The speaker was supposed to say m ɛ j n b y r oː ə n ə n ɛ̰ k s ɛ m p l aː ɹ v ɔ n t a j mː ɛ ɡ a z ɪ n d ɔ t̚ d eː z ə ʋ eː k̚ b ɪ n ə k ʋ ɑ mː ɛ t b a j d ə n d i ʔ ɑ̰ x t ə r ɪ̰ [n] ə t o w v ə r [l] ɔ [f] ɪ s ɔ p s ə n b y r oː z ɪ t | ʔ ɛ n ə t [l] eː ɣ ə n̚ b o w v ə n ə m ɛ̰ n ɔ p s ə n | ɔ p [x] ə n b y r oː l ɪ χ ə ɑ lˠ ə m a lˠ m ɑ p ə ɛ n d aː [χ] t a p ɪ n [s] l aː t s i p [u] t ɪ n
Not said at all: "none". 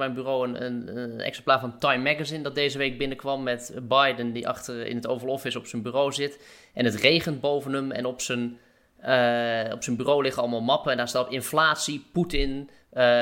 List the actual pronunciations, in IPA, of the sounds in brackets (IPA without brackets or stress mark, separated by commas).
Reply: n, l, f, r, s, s, f, u